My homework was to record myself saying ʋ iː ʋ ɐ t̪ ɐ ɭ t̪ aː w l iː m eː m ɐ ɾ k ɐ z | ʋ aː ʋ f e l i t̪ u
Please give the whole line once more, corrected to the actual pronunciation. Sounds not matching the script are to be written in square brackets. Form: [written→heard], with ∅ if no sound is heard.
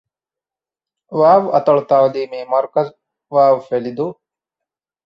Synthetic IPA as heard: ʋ [iː→aː] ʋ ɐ t̪ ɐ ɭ t̪ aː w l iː m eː m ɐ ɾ k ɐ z | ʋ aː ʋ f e l i [t̪→d̪] u